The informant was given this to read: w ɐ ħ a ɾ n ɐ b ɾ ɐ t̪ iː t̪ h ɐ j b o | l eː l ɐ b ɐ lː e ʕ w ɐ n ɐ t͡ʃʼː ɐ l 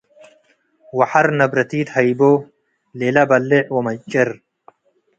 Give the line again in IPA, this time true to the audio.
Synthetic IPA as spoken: w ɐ ħ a ɾ n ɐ b ɾ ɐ t̪ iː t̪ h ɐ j b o | l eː l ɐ b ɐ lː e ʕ w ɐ m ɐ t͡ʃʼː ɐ ɾ